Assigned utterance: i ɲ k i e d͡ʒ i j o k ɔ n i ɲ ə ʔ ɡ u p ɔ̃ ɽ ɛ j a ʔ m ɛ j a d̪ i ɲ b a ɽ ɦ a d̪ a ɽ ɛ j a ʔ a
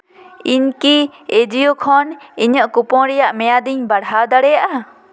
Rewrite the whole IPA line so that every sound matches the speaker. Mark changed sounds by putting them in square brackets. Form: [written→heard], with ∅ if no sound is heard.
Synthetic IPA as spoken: i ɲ k i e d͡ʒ i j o [k→kʰ] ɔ n i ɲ ə ʔ [ɡ→k] u p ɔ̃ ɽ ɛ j a ʔ m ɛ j a d̪ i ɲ b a ɽ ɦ a d̪ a ɽ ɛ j a ʔ a